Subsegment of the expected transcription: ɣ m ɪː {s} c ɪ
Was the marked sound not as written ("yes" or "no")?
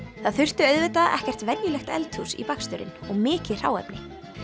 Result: yes